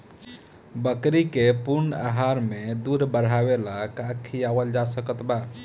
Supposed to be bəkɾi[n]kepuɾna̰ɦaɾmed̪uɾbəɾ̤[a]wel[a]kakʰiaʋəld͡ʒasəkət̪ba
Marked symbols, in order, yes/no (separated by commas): no, yes, yes